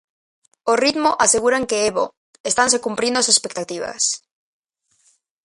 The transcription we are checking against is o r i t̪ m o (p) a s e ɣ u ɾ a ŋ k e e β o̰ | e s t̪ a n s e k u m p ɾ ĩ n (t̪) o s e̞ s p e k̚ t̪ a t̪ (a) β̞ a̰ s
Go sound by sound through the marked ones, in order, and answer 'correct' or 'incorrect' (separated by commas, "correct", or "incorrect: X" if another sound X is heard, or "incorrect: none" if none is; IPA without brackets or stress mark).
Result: incorrect: ʔ, incorrect: d̪, incorrect: i